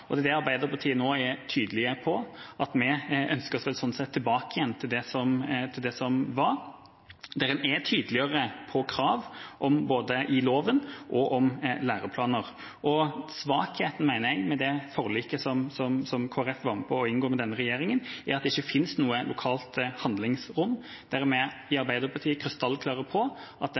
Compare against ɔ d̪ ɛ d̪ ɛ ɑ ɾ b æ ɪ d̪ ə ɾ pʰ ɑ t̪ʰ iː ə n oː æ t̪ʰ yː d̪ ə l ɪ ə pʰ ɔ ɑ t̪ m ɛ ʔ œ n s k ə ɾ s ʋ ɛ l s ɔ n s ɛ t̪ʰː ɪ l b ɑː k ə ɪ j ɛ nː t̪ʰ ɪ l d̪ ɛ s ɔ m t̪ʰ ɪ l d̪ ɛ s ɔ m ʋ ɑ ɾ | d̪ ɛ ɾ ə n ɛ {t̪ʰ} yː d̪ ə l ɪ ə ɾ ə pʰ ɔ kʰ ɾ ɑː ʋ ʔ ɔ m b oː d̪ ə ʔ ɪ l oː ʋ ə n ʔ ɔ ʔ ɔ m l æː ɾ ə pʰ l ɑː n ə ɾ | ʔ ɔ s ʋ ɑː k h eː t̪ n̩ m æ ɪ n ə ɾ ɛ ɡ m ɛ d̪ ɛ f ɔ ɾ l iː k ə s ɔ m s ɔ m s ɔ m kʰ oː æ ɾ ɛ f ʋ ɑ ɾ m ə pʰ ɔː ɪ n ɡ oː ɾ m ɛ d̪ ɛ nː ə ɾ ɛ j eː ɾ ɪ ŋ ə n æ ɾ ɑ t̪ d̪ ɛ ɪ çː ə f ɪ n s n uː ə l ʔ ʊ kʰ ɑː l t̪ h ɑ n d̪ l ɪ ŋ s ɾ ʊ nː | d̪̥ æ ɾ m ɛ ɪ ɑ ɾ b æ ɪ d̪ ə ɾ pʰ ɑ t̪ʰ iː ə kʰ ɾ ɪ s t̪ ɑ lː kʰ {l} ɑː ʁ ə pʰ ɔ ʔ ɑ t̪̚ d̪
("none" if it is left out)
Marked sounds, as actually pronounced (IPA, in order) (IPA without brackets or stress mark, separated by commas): t̪ʰ, l